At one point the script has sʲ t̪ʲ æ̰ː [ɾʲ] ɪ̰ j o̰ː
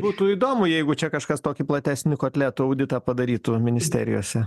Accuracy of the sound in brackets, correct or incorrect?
correct